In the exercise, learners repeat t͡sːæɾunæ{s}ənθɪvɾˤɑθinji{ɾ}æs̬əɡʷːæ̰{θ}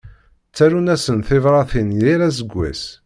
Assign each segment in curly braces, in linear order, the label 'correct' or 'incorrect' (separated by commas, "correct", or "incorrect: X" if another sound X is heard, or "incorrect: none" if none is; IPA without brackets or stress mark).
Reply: correct, correct, incorrect: s